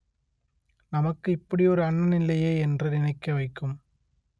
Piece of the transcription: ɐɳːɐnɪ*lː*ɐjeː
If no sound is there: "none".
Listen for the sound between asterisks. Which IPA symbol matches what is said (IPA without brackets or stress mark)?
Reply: lː